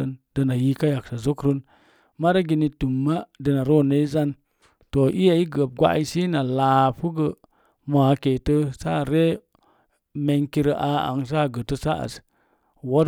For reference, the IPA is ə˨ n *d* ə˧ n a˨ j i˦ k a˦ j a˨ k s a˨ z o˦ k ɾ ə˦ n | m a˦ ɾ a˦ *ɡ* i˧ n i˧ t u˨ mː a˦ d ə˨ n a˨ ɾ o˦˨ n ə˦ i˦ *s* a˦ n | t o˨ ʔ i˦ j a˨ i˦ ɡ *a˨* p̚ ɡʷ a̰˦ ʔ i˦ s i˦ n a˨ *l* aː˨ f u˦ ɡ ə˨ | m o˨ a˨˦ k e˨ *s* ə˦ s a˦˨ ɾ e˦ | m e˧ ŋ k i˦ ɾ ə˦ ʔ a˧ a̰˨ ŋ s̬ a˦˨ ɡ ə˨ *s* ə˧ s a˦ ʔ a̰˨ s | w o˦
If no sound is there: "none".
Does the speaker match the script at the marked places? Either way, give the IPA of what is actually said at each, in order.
d, ɡ, z, ə˨, l, t, t

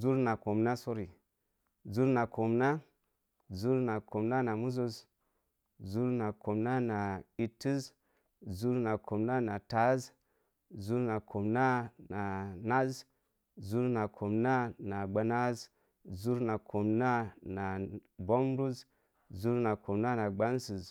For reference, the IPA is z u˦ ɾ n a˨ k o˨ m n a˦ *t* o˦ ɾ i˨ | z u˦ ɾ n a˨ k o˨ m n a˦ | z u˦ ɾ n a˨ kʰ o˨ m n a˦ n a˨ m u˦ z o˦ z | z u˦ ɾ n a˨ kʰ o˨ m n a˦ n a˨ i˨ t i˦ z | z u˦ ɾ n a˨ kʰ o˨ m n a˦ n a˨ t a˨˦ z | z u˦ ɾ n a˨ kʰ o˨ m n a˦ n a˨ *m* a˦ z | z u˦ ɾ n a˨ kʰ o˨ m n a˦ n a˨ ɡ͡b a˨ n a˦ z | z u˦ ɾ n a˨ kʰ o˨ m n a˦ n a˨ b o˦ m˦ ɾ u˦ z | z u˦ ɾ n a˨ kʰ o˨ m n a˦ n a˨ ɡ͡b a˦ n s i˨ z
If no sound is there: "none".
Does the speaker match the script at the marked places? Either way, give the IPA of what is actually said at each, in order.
s, n

